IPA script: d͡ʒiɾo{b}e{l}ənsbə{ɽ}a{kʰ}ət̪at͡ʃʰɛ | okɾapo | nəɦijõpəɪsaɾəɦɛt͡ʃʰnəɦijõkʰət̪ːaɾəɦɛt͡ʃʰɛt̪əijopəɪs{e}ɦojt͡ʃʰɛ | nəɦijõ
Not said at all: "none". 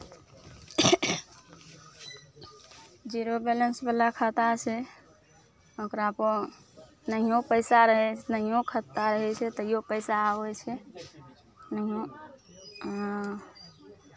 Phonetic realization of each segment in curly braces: b, l, l, kʰ, a

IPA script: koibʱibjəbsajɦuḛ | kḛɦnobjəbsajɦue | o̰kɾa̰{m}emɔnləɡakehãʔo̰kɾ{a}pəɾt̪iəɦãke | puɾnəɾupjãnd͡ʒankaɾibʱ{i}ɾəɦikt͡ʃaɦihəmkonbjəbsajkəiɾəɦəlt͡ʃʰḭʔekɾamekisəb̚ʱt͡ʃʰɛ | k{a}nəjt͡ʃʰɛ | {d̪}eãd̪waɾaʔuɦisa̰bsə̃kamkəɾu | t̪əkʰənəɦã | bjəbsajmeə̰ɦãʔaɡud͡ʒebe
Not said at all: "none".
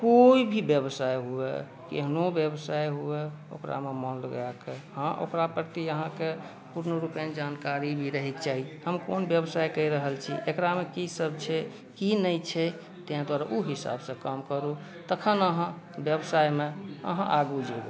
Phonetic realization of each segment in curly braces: m, a, i, i, t̪

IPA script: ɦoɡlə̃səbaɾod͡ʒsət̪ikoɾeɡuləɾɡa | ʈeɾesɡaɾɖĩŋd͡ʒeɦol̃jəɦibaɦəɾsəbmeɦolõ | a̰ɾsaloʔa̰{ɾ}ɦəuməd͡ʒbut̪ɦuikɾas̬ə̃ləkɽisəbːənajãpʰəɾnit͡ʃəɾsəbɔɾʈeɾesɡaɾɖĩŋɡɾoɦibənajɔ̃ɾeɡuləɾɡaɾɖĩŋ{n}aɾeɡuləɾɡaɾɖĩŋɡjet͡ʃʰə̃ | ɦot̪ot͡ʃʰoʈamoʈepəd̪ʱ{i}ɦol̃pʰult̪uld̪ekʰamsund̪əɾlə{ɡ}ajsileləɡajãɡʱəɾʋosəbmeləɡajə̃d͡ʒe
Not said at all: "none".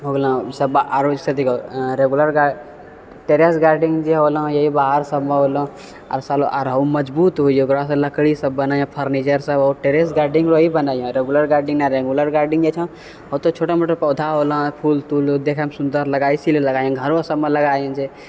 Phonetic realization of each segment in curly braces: ɾ, n, a, ɡ

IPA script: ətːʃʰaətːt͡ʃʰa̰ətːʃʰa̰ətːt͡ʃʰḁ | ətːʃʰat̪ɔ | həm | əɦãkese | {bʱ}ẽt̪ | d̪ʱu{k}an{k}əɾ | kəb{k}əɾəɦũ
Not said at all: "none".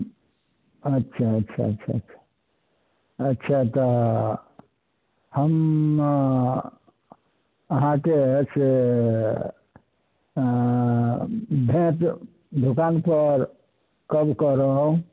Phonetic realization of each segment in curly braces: bʱ, k, p, k

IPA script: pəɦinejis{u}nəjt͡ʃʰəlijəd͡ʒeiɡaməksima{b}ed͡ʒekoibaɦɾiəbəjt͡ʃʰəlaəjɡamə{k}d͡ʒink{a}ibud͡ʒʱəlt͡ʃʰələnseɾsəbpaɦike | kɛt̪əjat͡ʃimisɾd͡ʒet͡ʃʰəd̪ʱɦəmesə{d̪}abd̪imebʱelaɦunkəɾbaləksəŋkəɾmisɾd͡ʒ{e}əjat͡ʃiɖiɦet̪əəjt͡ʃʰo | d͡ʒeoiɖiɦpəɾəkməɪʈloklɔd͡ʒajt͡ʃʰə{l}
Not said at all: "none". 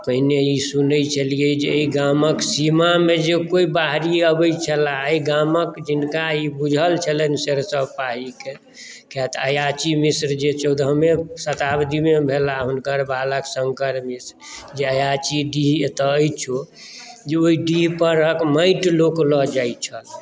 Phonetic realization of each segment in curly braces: u, m, k, a, t̪, e, l

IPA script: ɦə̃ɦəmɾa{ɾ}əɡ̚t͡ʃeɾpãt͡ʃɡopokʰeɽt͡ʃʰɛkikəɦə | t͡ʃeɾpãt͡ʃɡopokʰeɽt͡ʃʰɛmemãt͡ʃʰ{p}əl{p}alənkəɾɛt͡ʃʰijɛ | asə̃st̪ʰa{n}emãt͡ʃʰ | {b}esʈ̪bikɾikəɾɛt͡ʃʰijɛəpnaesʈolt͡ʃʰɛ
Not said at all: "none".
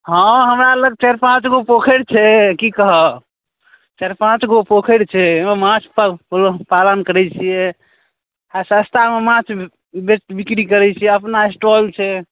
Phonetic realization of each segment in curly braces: l, p, p, m, b

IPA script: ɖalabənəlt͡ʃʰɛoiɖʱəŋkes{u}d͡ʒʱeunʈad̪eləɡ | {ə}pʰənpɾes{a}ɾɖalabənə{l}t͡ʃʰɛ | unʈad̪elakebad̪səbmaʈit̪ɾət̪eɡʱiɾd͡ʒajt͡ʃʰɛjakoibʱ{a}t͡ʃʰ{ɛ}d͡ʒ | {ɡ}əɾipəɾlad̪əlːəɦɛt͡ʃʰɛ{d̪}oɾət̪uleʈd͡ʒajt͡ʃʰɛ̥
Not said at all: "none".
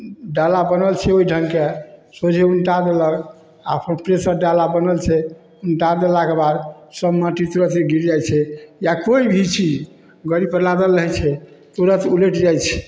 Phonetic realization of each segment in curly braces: o, a, ə, l, i, i, ɡ, t̪

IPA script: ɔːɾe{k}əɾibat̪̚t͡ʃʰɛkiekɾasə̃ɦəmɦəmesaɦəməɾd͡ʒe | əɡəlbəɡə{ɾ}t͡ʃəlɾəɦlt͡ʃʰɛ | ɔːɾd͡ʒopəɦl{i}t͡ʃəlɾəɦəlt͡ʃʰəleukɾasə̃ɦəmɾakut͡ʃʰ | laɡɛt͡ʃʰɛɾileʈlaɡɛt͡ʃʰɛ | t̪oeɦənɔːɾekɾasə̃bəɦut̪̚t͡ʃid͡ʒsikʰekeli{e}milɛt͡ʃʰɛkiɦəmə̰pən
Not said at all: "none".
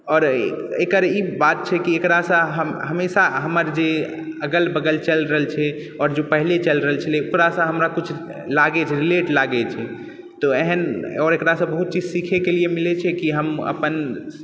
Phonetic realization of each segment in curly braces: k, l, e, e

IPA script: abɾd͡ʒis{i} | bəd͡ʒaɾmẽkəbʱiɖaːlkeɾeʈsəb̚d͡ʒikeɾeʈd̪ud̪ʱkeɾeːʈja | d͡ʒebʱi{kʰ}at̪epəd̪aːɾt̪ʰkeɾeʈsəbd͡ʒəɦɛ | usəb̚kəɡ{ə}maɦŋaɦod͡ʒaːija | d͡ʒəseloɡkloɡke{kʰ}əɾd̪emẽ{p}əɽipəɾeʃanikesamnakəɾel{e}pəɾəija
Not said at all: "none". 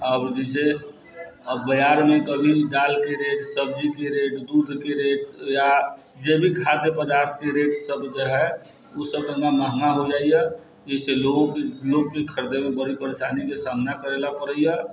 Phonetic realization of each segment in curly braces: e, kʰ, a, kʰ, b, a

